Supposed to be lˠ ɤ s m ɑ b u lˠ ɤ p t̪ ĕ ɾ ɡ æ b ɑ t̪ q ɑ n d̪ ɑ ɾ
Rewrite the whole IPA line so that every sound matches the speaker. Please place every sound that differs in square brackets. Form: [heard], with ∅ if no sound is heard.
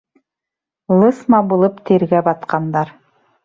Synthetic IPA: lˠ ɤ s m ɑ b u lˠ ɤ p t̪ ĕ ɾ ɡ æ b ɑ t̪ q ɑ n d̪ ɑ ɾ